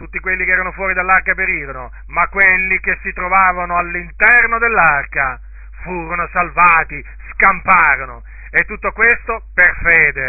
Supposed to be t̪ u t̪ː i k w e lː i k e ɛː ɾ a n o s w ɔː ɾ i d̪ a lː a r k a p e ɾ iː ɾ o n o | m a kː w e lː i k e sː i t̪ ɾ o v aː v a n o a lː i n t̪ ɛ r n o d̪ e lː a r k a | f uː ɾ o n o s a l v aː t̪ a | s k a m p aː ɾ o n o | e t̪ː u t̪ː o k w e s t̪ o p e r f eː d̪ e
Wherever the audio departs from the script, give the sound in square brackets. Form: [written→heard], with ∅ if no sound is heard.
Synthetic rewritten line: t̪ u t̪ː i k w e lː i k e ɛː ɾ a n o [s→f] w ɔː ɾ i d̪ a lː a r k a p e ɾ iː ɾ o n o | m a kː w e lː i k e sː i t̪ ɾ o v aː v a n o a lː i n t̪ ɛ r n o d̪ e lː a r k a | f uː ɾ o n o s a l v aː t̪ [a→i] | s k a m p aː ɾ o n o | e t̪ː u t̪ː o k w e s t̪ o p e r f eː d̪ e